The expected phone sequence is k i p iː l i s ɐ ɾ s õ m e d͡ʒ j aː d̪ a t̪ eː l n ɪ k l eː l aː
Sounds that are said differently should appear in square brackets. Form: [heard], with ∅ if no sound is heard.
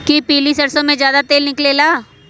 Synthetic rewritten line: k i p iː l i s ɐ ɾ s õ m [ẽ] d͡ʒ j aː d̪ a t̪ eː l n ɪ k l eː l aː